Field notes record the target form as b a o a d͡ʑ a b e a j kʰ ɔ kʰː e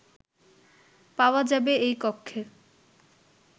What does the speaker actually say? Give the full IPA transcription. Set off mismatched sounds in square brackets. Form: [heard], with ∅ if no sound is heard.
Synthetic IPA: [p] a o a d͡ʑ a b e [e] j [k] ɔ kʰː e